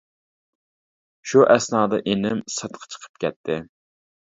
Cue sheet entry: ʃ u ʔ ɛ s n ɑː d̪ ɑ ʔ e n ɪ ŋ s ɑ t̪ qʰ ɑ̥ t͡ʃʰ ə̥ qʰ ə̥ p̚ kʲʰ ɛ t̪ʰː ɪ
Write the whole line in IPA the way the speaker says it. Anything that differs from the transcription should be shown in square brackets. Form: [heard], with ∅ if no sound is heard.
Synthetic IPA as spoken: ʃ u ʔ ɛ s n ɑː d̪ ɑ ʔ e n ɪ [m] s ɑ t̪ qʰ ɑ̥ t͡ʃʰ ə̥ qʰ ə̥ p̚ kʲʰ ɛ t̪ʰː ɪ